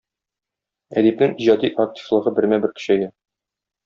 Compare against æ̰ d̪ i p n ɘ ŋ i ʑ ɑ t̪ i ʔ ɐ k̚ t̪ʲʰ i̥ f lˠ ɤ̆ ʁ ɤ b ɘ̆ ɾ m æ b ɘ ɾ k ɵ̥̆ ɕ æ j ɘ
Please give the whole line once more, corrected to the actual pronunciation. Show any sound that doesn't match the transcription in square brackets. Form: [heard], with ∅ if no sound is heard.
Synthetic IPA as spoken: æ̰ d̪ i p n ɘ ŋ i ʑ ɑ [d̪] i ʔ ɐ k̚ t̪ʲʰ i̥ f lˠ ɤ̆ ʁ ɤ b ɘ̆ ɾ m æ b ɘ ɾ k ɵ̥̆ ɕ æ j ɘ